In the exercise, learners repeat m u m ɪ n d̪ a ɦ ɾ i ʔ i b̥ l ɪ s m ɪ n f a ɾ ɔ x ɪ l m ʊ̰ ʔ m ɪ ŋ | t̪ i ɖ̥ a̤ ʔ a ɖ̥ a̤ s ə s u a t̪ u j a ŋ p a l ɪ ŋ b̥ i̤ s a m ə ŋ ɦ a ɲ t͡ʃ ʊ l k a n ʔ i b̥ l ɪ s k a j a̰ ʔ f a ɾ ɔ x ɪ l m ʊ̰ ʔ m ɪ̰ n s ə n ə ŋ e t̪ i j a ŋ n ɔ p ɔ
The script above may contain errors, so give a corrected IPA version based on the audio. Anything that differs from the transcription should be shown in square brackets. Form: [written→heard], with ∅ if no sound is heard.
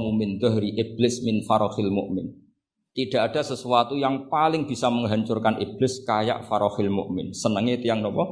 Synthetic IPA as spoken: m u m ɪ n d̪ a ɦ ɾ i ʔ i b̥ l ɪ s m ɪ n f a ɾ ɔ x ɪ l m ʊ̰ ʔ m ɪ [ŋ→n] | t̪ i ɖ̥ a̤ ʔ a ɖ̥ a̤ s ə s u a t̪ u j a ŋ p a l ɪ ŋ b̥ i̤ s a m ə ŋ ɦ a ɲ t͡ʃ ʊ [l→r] k a n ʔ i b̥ l ɪ s k a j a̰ ʔ f a ɾ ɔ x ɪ l m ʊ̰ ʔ m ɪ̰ n s ə n ə ŋ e t̪ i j a ŋ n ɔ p ɔ